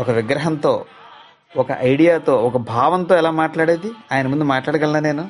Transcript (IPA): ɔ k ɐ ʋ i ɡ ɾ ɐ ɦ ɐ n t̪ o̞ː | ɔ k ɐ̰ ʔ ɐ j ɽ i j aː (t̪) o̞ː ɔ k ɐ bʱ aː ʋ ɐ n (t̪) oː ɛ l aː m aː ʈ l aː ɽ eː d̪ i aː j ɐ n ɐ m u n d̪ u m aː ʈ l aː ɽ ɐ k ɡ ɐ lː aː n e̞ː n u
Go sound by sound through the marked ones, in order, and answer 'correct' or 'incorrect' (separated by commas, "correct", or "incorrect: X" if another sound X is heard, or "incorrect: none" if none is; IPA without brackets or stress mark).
correct, correct